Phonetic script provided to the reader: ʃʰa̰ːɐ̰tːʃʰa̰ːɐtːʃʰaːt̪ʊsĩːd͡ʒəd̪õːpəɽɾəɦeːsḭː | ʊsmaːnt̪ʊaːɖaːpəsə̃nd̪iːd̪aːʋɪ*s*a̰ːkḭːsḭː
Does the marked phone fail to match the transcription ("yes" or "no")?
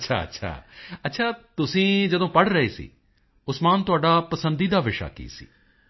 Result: yes